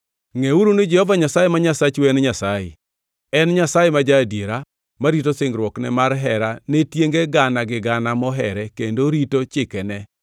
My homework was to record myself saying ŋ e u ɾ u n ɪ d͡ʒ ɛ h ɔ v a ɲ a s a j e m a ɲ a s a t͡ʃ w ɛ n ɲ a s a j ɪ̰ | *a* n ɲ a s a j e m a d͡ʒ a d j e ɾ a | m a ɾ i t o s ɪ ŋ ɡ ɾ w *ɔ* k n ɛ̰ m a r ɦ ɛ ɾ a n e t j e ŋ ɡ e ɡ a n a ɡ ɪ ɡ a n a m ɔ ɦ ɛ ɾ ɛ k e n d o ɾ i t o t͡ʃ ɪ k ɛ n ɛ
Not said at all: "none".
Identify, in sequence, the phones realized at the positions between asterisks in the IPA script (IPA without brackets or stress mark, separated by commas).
ɛ, ɔ